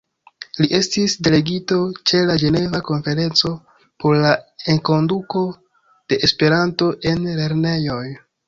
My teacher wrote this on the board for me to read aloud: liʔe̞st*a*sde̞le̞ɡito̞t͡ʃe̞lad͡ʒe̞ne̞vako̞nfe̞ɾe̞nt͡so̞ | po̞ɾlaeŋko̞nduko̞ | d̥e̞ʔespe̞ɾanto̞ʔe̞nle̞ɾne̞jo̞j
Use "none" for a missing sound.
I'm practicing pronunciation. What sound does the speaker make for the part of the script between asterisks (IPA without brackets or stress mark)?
i